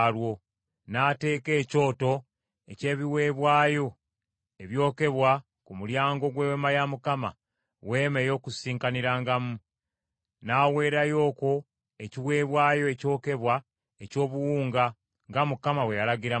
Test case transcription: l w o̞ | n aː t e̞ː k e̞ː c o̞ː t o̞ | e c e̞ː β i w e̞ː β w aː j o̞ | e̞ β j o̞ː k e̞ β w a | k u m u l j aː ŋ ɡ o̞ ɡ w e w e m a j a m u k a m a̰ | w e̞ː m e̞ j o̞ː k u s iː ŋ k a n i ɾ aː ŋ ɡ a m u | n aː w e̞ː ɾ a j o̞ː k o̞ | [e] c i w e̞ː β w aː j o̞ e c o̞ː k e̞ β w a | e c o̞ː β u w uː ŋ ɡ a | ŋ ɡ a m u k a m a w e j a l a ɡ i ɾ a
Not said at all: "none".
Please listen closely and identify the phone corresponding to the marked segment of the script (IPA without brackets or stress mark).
e